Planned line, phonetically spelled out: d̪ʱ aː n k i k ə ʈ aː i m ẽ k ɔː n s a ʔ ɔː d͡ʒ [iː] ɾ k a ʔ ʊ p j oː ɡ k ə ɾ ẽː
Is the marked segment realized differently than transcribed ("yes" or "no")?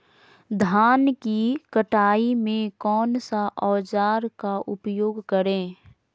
yes